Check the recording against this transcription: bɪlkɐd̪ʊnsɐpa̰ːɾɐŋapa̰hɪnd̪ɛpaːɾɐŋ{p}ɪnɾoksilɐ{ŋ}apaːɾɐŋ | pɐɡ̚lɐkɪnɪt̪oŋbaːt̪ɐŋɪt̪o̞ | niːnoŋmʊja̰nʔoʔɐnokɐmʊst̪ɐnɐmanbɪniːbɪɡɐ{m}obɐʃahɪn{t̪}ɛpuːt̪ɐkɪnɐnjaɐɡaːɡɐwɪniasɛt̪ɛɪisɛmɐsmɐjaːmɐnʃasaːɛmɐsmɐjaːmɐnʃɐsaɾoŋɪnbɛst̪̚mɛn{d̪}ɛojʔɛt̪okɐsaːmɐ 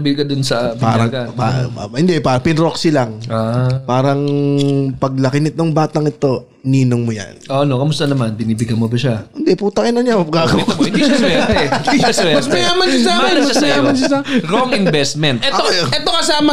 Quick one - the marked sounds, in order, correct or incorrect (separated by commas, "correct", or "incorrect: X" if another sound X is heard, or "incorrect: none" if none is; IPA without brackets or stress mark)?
correct, correct, correct, incorrect: d̪, incorrect: t̪